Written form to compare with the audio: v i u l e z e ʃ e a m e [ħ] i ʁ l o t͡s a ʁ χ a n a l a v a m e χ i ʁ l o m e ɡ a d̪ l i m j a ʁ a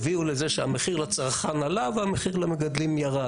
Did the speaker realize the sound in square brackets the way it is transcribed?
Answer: no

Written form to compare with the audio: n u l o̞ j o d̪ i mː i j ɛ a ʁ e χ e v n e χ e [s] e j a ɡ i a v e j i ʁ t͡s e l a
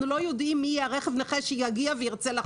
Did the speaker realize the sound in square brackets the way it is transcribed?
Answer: no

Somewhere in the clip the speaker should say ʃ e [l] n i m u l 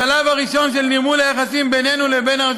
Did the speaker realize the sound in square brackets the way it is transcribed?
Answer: yes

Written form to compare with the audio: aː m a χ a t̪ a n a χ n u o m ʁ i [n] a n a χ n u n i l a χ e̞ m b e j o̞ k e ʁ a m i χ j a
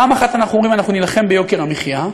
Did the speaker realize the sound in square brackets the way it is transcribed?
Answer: no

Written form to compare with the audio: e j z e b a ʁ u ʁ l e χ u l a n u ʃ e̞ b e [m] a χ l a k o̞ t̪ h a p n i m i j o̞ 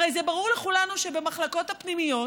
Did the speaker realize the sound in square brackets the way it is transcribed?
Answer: yes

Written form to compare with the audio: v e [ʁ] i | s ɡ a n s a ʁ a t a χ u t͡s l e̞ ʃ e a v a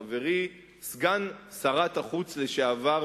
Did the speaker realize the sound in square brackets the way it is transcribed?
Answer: yes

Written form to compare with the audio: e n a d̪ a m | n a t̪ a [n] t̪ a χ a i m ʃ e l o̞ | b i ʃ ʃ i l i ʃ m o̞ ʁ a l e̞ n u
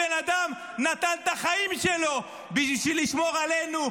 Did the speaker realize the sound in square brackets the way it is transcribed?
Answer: yes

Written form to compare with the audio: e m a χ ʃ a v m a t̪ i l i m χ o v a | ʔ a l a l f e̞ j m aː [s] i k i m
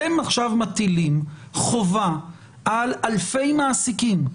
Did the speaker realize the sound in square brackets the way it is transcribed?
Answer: yes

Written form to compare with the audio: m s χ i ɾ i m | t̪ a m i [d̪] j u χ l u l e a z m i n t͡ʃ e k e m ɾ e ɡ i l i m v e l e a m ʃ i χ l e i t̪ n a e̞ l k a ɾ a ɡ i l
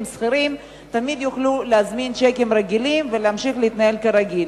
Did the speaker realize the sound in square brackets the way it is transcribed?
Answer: yes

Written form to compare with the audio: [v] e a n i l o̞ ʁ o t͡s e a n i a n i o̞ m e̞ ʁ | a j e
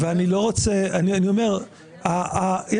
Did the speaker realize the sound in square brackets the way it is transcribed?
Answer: yes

